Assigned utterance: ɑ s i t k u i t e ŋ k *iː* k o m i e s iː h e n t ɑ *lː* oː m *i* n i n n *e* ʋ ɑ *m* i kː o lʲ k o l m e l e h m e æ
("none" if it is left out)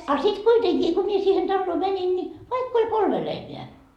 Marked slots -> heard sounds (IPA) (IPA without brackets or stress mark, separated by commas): iː, lː, æ, i, none